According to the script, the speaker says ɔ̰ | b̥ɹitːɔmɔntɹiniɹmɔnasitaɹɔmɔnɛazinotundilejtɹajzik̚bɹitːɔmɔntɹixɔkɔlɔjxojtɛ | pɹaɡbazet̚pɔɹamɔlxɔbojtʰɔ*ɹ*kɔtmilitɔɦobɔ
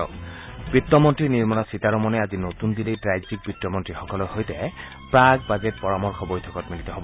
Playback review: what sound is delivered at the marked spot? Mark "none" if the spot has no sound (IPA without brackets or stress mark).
none